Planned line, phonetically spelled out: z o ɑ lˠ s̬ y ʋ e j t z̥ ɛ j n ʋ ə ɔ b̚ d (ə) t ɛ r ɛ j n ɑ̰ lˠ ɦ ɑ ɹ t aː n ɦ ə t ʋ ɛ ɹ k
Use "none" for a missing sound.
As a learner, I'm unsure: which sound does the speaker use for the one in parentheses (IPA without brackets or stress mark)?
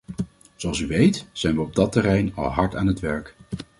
ɑ